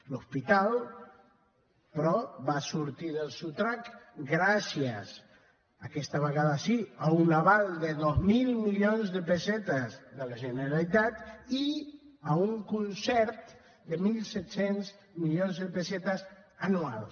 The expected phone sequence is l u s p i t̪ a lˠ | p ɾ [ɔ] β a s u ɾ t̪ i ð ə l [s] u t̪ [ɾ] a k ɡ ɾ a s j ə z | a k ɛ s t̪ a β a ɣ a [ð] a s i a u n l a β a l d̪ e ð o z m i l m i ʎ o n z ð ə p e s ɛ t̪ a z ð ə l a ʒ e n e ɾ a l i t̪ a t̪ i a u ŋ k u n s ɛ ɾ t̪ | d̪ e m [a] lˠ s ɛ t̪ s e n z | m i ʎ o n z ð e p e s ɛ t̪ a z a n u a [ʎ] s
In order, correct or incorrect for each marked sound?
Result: correct, correct, correct, correct, incorrect, incorrect

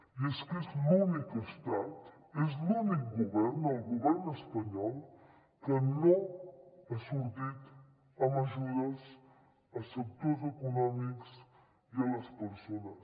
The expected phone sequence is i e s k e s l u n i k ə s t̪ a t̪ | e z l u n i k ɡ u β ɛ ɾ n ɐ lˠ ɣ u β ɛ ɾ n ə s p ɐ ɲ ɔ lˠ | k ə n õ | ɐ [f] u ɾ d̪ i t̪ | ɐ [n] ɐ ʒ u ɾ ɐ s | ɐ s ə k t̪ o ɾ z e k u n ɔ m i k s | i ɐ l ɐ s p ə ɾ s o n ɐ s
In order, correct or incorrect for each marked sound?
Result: incorrect, incorrect

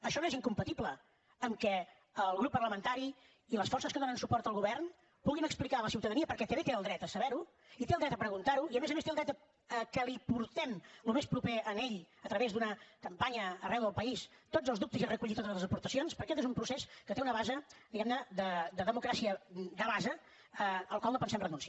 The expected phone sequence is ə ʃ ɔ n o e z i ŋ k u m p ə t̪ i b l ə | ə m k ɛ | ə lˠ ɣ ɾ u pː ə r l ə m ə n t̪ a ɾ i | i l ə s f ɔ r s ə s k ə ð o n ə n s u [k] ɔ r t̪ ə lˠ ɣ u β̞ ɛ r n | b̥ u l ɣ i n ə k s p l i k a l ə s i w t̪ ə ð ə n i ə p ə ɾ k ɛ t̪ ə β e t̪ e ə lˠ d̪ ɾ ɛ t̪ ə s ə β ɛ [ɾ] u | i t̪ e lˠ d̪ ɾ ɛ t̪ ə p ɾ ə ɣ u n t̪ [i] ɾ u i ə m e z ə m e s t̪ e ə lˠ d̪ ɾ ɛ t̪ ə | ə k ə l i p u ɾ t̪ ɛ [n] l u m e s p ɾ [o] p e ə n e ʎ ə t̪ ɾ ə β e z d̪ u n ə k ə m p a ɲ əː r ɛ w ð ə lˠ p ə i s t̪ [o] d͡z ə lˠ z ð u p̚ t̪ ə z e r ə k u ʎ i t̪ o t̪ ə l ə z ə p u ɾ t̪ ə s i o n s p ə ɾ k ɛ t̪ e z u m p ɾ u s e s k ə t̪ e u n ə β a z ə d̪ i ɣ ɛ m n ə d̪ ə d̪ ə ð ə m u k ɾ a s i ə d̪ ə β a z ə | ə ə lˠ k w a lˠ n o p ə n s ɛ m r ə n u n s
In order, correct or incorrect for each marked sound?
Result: incorrect, correct, incorrect, incorrect, incorrect, correct

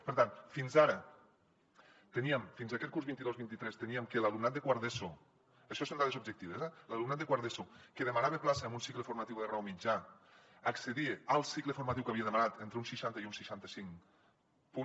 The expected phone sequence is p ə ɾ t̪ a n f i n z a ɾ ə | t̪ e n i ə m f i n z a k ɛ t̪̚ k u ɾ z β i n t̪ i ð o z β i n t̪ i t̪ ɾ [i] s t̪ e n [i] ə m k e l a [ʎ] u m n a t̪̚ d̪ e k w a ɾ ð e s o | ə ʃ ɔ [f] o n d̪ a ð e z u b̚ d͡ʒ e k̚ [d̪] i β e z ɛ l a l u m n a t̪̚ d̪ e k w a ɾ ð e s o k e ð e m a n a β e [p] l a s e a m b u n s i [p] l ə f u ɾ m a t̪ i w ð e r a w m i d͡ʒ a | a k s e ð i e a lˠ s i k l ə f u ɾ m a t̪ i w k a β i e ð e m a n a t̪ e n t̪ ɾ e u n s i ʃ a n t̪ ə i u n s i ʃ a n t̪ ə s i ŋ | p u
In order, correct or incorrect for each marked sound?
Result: incorrect, correct, incorrect, incorrect, incorrect, correct, incorrect

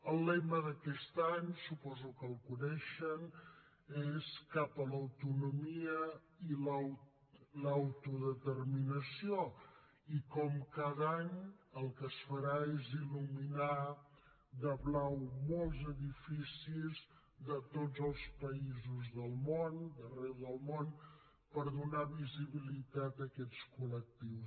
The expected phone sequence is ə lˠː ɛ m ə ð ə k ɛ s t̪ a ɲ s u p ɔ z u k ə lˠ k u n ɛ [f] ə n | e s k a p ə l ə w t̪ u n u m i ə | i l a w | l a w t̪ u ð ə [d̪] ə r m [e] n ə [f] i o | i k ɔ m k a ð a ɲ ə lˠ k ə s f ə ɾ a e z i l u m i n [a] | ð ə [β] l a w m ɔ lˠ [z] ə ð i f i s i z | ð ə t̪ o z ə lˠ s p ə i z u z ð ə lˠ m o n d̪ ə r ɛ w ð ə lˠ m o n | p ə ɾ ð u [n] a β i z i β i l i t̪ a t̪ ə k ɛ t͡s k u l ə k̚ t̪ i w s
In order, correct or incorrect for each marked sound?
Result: incorrect, incorrect, incorrect, incorrect, correct, correct, correct, correct

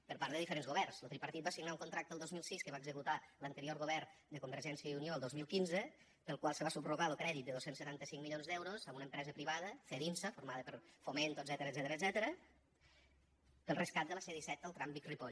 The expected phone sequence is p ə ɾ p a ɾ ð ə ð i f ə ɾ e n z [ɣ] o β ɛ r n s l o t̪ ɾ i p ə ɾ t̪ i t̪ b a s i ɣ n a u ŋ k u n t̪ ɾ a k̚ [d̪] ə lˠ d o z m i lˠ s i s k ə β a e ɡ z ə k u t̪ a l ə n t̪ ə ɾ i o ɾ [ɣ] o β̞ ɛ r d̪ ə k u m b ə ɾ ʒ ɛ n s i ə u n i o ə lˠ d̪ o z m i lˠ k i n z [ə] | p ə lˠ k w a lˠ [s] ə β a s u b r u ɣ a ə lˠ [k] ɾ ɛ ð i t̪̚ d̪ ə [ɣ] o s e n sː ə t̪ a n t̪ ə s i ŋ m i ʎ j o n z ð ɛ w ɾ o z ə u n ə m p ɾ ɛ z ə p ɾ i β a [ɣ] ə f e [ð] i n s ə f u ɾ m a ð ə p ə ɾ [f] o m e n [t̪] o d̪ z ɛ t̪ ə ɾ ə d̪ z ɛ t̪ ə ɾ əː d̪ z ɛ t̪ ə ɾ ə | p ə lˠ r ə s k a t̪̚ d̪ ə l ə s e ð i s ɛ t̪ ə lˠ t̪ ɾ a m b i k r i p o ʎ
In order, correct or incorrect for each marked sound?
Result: correct, incorrect, correct, correct, correct, correct, incorrect, incorrect, correct, correct, correct

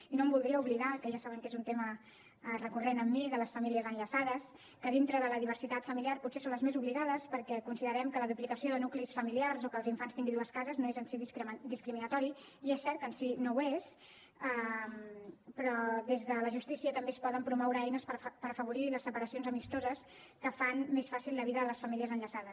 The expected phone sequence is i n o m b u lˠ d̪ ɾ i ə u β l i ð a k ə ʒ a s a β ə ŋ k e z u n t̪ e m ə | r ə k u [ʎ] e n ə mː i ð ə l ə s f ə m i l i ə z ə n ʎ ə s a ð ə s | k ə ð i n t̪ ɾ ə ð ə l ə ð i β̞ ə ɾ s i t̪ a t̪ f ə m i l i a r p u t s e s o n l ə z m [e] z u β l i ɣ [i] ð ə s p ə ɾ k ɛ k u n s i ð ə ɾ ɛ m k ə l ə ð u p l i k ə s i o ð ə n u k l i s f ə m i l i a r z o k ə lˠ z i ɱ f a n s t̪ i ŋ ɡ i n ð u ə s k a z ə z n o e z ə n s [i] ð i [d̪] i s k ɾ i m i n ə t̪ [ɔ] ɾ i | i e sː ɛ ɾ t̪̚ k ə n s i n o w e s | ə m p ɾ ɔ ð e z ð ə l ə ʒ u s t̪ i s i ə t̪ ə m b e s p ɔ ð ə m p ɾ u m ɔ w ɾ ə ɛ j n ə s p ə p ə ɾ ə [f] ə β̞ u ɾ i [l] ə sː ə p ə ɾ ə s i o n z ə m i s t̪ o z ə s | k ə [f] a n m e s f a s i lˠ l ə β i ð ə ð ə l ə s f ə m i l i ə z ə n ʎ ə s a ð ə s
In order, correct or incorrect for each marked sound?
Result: incorrect, correct, incorrect, correct, correct, correct, correct, correct, correct

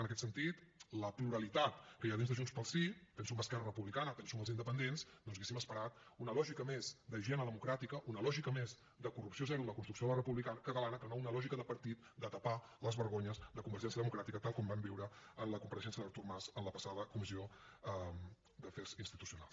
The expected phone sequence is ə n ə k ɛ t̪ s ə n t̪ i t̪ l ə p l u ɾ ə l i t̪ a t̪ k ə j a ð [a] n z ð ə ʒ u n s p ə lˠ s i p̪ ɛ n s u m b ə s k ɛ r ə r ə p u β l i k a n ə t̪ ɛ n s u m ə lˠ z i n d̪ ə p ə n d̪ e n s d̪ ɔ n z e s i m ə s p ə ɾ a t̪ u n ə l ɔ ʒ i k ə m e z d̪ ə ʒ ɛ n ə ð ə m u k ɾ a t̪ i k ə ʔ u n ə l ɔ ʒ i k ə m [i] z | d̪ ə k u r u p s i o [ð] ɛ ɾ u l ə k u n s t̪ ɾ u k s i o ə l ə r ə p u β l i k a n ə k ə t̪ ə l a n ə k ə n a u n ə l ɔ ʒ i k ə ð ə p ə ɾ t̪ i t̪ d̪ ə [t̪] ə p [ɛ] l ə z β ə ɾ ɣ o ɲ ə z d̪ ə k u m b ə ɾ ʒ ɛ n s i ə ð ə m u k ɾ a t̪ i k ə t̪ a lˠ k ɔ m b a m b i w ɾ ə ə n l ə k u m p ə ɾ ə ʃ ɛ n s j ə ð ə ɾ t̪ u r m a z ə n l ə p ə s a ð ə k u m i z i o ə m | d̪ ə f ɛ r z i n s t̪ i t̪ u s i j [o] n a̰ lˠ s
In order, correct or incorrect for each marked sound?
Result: incorrect, incorrect, incorrect, correct, incorrect, incorrect

